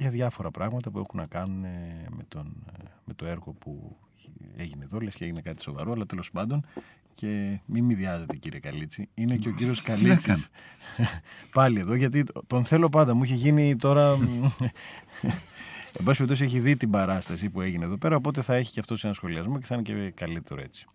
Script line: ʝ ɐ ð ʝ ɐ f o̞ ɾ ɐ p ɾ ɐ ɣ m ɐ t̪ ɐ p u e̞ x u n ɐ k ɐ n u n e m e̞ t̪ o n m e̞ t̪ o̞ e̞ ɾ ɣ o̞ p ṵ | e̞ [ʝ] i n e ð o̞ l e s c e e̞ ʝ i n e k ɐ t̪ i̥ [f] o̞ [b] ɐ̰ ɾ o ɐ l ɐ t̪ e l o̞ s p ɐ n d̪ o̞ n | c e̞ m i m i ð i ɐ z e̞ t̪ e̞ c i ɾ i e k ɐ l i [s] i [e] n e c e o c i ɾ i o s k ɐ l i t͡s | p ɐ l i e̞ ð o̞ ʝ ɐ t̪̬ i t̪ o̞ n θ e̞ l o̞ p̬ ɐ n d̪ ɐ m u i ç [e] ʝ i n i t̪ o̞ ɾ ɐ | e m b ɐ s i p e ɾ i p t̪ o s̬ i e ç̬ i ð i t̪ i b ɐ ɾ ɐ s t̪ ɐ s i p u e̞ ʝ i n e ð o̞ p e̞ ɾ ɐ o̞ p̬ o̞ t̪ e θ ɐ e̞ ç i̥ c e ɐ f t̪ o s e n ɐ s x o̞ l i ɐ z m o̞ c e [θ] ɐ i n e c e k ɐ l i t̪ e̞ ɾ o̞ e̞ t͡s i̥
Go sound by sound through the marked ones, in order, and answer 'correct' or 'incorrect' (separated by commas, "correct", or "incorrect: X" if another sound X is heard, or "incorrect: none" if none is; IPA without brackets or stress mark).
correct, incorrect: s, incorrect: v, incorrect: t͡s, incorrect: i, correct, correct